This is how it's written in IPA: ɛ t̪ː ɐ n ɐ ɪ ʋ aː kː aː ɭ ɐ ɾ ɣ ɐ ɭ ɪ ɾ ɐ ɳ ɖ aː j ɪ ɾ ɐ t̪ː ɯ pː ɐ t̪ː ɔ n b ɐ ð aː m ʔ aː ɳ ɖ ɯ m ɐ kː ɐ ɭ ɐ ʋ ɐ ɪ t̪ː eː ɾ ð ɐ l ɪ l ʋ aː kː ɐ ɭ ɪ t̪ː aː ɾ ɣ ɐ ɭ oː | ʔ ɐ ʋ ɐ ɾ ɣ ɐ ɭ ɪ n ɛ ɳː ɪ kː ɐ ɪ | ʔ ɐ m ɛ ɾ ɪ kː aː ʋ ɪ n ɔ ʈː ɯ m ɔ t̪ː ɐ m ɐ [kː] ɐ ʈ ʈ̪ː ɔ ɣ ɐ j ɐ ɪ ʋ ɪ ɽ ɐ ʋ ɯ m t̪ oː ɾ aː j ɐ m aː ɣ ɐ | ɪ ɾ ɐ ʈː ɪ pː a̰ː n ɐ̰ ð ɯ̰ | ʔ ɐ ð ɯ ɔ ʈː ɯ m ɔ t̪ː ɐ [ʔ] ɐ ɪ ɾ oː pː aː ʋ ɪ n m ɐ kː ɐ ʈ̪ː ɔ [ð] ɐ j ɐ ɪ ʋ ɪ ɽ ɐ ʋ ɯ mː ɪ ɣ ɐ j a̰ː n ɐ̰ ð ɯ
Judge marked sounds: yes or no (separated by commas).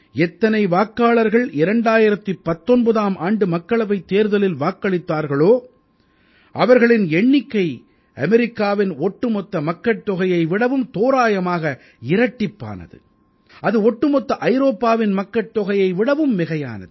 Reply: yes, yes, no